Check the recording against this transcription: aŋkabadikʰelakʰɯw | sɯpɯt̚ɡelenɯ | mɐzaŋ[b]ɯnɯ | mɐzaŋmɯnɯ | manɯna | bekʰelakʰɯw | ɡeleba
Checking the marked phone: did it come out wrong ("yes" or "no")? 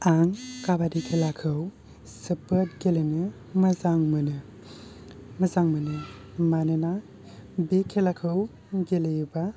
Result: yes